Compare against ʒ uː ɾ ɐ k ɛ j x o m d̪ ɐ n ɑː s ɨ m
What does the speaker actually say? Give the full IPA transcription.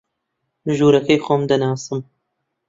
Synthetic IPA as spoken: ʒ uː ɾ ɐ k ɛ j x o m d̪ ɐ n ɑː s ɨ m